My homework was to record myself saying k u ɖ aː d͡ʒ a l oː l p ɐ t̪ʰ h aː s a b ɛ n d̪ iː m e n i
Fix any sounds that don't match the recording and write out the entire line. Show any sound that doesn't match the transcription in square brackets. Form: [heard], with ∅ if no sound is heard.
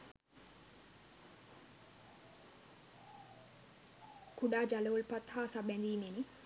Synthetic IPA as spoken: k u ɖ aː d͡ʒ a l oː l p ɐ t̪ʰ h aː s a b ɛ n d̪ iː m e n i

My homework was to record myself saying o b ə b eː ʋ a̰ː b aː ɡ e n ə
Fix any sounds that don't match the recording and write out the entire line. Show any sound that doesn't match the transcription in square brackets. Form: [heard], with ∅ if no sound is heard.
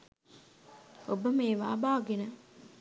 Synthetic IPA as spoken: o b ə [m] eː ʋ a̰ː b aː ɡ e n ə

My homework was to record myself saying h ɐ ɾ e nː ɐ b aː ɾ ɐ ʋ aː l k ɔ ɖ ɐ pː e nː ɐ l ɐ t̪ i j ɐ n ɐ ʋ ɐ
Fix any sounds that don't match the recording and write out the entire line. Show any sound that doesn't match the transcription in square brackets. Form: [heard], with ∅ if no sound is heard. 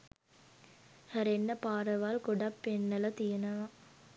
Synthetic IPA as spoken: h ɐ ɾ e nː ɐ [p] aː ɾ ɐ ʋ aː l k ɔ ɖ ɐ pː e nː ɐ l ɐ t̪ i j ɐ n ɐ ʋ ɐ

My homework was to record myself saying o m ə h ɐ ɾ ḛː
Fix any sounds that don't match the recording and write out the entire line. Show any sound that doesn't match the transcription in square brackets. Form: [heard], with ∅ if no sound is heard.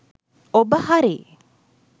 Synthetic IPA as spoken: o [b] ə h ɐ ɾ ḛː

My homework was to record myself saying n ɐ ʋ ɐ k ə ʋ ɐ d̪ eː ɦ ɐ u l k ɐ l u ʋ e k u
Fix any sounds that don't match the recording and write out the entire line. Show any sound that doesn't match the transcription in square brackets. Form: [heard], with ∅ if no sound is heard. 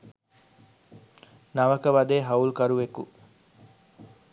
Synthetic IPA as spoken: n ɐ ʋ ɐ k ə ʋ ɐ d̪ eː ɦ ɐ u l k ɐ [ɾ] u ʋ e k u

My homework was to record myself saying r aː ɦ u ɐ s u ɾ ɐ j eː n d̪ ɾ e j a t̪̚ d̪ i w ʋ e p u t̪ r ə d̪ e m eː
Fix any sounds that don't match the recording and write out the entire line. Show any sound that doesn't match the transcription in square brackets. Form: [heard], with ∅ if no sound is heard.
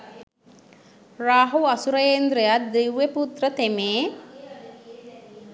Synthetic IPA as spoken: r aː ɦ u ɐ s u ɾ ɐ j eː n d̪ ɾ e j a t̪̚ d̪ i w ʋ e p u t̪ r ə [t̪] e m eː

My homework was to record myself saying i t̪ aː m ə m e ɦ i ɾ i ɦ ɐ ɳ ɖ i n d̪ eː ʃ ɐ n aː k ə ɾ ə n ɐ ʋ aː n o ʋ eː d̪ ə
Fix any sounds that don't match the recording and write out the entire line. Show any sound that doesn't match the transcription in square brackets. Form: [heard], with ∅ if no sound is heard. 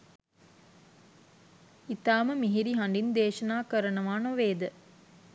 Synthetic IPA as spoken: i t̪ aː m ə m [i] ɦ i ɾ i ɦ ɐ ɳ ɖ i n d̪ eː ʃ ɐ n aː k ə ɾ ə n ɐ ʋ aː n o ʋ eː d̪ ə

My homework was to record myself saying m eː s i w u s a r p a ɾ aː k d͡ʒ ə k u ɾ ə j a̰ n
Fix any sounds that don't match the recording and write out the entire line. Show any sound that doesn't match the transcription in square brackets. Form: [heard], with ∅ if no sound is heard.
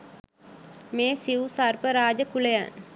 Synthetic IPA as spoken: m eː s i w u s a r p [ə] ɾ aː [∅] d͡ʒ ə k u [l] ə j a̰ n

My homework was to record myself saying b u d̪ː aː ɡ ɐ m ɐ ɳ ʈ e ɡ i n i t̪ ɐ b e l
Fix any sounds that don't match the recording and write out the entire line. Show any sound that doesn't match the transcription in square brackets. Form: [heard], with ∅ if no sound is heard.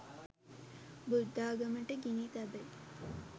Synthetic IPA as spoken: b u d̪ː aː ɡ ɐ m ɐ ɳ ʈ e ɡ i n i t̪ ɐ b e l

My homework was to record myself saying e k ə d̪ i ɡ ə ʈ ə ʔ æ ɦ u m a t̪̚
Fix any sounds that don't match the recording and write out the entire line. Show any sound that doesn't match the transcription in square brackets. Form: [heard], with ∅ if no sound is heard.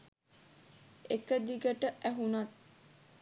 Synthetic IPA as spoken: e k ə d̪ i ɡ ə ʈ ə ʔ æ ɦ u [n] a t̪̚

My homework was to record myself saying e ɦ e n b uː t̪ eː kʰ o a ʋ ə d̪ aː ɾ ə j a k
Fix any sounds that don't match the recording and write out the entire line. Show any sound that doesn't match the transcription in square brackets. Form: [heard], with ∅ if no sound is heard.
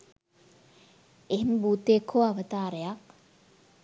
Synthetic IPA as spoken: e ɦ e [m] b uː t̪ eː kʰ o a ʋ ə [t̪] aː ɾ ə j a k

